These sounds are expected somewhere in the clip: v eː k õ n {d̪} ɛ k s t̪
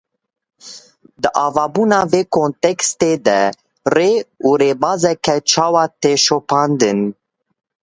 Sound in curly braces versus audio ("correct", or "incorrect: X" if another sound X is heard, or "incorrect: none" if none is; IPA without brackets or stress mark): incorrect: t̪